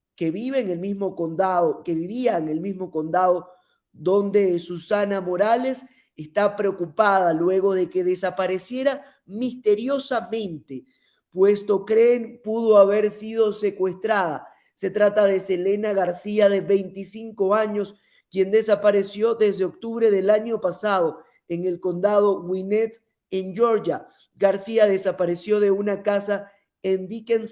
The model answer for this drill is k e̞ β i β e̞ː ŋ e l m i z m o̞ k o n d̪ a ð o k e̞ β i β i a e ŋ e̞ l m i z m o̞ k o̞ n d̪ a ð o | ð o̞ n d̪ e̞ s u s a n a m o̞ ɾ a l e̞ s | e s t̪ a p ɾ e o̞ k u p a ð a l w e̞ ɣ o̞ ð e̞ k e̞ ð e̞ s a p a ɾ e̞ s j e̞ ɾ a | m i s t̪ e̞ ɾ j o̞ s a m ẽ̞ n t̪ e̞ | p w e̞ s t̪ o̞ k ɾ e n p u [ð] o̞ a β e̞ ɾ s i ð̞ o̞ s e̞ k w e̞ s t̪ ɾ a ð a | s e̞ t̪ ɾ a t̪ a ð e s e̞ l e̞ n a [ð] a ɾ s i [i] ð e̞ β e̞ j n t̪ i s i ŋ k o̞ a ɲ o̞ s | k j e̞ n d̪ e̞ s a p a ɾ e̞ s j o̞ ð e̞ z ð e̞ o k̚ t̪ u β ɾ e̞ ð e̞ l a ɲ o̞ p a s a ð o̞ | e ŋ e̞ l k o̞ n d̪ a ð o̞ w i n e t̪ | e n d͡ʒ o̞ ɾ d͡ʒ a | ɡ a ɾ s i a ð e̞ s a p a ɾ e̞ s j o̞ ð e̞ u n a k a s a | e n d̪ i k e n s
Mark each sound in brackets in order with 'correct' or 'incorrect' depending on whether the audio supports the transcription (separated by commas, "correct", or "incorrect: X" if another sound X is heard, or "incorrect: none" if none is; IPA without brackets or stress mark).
correct, incorrect: ɣ, incorrect: a